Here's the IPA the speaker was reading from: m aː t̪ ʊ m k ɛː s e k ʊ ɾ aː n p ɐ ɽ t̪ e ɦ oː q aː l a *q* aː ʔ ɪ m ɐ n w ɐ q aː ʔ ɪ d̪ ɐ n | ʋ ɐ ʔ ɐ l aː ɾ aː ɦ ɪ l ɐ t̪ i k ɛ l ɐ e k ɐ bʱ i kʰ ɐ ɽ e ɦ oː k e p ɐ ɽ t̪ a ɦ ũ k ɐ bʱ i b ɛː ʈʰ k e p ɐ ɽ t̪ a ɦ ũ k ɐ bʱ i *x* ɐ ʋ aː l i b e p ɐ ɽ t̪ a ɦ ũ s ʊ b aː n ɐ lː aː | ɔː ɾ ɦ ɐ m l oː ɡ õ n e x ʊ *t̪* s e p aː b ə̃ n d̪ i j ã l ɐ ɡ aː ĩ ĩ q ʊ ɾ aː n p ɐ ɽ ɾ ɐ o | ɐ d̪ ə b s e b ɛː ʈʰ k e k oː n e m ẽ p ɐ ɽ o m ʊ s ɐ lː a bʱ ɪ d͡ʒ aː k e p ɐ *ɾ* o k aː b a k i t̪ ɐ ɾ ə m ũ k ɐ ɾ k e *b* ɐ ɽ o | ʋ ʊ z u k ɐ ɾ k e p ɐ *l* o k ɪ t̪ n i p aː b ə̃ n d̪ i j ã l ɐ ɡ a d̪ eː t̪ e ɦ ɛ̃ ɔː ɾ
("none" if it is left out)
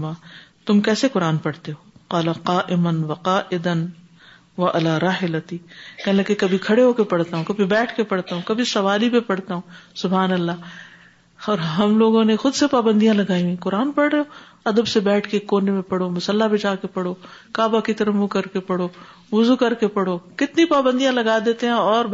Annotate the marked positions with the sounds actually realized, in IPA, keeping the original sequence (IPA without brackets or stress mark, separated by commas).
q, s, d̪, ɽ, p, ɽ